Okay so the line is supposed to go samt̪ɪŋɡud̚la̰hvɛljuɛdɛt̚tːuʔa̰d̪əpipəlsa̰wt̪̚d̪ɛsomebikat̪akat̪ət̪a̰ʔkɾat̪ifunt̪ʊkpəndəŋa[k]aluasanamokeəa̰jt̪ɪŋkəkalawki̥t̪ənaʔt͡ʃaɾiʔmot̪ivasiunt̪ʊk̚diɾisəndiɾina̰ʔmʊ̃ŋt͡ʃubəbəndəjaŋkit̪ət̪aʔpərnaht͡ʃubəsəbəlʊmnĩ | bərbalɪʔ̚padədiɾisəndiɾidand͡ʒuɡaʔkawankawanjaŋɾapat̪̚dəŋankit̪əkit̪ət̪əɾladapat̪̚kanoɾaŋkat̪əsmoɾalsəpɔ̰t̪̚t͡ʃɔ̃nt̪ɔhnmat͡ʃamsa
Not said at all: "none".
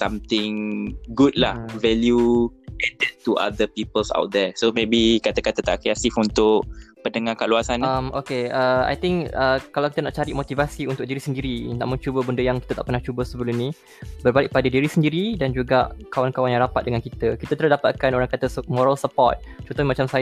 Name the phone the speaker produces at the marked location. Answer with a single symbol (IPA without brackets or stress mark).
k